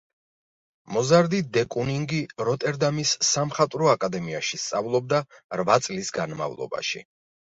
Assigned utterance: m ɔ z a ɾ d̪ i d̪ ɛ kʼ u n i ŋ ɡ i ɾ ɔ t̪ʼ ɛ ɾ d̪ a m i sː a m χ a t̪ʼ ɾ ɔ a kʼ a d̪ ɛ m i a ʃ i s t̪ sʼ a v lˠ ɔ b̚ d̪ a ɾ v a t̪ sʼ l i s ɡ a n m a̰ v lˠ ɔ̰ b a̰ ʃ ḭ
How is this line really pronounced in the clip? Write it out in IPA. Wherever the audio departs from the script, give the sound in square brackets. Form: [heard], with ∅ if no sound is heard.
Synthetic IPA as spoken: m ɔ z a ɾ d̪ i d̪ ɛ kʼ u n i ŋ ɡ i ɾ ɔ t̪ʼ ɛ ɾ d̪ a m i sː a m χ a t̪ʼ ɾ ɔ a kʼ a d̪ ɛ m i a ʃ i s t̪ sʼ a v lˠ ɔ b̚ d̪ a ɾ v a t̪ sʼ l i s ɡ a n m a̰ v lˠ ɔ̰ b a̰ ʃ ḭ